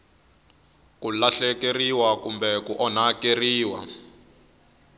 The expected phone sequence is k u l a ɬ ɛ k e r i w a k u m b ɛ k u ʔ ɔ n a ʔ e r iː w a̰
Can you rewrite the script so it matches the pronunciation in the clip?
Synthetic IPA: k u l a ɬ ɛ k e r i w a k u m b ɛ k u ʔ ɔ n a k e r iː w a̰